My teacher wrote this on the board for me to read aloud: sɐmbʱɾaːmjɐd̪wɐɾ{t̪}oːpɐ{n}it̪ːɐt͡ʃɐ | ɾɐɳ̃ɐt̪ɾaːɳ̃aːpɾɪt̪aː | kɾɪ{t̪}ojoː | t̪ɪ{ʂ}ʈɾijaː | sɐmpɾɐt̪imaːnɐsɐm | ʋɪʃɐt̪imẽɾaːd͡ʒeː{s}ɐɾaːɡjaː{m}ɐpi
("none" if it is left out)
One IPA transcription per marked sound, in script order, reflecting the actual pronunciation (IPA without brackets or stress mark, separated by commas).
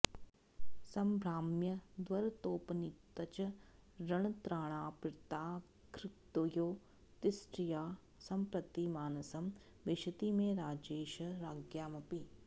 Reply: t̪, n, t̪, s, ʃ, m